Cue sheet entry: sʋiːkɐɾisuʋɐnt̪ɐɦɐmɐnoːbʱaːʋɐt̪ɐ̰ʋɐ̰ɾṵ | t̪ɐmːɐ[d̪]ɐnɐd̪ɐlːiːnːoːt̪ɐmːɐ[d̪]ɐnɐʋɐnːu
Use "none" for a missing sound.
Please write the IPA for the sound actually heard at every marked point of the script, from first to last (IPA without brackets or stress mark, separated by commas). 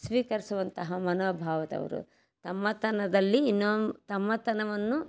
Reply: t̪, t̪